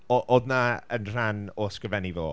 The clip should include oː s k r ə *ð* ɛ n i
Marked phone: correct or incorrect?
incorrect